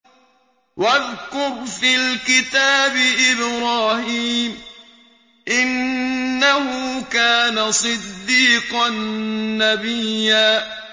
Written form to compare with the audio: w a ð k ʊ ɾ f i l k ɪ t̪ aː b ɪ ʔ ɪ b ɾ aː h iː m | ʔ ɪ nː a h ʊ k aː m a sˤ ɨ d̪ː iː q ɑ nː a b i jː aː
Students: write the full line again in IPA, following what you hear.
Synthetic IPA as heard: w a ð k ʊ ɾ f i l k ɪ t̪ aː b ɪ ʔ ɪ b ɾ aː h iː m | ʔ ɪ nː a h ʊ k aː n a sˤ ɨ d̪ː iː q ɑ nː a b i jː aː